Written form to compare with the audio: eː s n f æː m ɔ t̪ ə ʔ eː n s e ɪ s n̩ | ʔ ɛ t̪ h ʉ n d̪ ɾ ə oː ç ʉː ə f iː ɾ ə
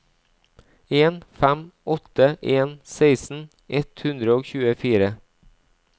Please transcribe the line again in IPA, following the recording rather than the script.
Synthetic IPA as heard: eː n f æ m ɔ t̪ ə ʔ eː n s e ɪ s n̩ | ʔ ɛ t̪ h ʉ n d̪ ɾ ə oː ç ʉː ə f iː ɾ ə